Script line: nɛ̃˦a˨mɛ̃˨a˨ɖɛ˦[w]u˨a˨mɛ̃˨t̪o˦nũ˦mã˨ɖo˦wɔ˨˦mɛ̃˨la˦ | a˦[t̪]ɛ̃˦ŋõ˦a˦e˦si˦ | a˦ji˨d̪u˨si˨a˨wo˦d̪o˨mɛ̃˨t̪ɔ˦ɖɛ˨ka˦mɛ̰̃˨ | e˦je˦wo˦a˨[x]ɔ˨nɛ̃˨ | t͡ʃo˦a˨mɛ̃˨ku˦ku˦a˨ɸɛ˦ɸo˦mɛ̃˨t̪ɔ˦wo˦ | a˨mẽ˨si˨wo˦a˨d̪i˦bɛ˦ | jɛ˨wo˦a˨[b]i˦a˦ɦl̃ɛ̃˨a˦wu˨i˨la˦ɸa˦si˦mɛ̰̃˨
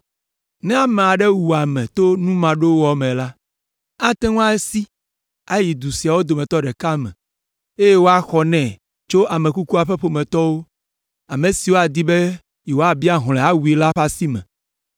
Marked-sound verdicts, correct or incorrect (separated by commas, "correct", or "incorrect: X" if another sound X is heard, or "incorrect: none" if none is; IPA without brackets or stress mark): correct, correct, correct, correct